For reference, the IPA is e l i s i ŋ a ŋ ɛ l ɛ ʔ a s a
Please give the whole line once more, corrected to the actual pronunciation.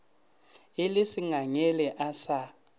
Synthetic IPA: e l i s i ŋ a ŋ ɛ l ɛ ʔ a s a